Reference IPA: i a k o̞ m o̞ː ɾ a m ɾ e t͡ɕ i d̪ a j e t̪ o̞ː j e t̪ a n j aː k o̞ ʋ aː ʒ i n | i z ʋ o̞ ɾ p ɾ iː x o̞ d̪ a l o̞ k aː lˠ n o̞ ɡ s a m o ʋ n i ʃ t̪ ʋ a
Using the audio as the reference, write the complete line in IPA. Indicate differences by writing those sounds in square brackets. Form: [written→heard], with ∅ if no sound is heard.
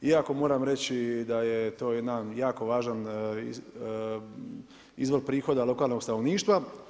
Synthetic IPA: i a k o̞ m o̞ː ɾ a m ɾ e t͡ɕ i d̪ a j e t̪ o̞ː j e [t̪→d̪] a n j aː k o̞ ʋ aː ʒ [i→a] n | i z ʋ o̞ ɾ p ɾ iː x o̞ d̪ a l o̞ k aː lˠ n o̞ ɡ s a [m→n] o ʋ n [i→iː] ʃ t̪ ʋ a

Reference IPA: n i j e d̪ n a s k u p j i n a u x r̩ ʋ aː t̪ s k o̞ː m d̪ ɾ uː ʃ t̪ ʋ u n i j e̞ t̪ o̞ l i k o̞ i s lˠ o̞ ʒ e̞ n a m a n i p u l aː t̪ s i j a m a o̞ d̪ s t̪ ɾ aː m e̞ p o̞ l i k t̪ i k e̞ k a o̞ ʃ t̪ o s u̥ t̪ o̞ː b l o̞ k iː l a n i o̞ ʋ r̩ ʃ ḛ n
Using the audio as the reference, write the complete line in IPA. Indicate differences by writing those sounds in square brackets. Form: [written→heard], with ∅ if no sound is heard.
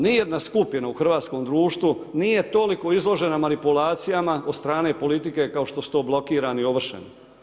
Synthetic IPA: n i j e d̪ n a s k u p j i n a u x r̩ ʋ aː t̪ s k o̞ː m d̪ ɾ uː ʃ t̪ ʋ u n i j e̞ t̪ o̞ l i k o̞ i [s→z] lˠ o̞ ʒ e̞ n a m a n i p u l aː t̪ s i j a m a o̞ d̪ s t̪ ɾ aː [m→n] e̞ p o̞ l i [k→∅] t̪ i k e̞ k a o̞ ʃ t̪ o s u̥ t̪ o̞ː b l o̞ k iː [l→ɾ] a n i o̞ ʋ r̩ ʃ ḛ n

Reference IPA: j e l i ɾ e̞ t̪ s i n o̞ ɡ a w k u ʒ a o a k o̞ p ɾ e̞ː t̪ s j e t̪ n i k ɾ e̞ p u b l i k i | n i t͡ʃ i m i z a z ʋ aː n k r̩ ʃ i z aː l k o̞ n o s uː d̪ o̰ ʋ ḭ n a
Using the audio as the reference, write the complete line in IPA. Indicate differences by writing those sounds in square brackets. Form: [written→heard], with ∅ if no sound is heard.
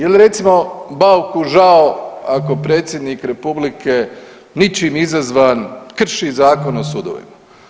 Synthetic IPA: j e l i ɾ e̞ t̪ s i [n→m] o̞ [ɡ→b] a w k u ʒ a o a k o̞ p ɾ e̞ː t̪ s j e [t̪→d̪] n i k ɾ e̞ p u b l i k [i→e] | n i t͡ʃ i m i z a z ʋ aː n k r̩ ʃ i z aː [l→∅] k o̞ n o s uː d̪ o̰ ʋ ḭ [n→m] a

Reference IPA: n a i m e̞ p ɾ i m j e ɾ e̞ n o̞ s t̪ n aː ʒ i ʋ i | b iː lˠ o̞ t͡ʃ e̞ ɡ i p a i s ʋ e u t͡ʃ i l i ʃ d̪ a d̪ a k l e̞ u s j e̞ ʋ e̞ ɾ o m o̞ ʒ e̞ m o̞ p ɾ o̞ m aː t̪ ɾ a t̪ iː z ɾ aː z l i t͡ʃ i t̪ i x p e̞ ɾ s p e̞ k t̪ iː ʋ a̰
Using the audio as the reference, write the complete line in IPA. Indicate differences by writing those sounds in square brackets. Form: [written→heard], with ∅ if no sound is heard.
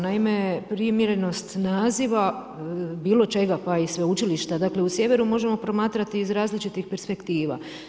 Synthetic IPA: n a i m e̞ p ɾ i m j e ɾ e̞ n o̞ s t̪ n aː [ʒ→z] i ʋ [i→a] | b iː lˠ o̞ t͡ʃ e̞ ɡ [i→a] p a i s ʋ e u t͡ʃ i l i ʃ [d̪→t̪] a d̪ a k l e̞ u s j e̞ ʋ e̞ ɾ [o→u] m o̞ ʒ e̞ m o̞ p ɾ o̞ m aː t̪ ɾ a t̪ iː z ɾ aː z l i t͡ʃ i t̪ i x p e̞ ɾ s p e̞ k t̪ iː ʋ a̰

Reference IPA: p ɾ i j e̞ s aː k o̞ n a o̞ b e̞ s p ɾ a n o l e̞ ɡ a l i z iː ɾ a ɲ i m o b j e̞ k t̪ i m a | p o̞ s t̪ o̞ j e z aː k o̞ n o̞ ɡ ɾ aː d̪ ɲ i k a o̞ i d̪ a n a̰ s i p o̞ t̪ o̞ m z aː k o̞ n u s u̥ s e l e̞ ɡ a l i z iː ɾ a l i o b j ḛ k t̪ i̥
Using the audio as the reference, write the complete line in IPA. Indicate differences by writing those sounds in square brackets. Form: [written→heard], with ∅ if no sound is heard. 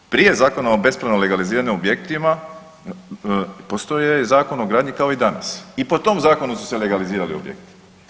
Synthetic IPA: p ɾ i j e̞ [s→z] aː k o̞ n a o̞ b e̞ s p ɾ a n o l e̞ ɡ a l i z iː ɾ a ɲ i m o b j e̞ k t̪ i m a | p o̞ s t̪ o̞ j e z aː k o̞ n o̞ ɡ ɾ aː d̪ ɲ i k a o̞ i d̪ a n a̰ s i p o̞ t̪ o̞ m z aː k o̞ n u s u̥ s e l e̞ ɡ a l i z iː ɾ a l i o b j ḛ k t̪ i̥

